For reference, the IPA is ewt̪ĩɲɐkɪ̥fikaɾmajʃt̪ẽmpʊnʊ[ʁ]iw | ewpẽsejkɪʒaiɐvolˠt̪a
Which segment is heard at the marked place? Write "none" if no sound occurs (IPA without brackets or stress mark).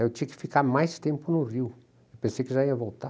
ʁ